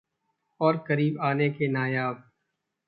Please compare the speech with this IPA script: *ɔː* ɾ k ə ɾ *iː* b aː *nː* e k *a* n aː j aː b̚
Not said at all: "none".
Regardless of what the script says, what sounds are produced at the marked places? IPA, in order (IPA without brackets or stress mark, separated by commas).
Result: ɔː, iː, n, e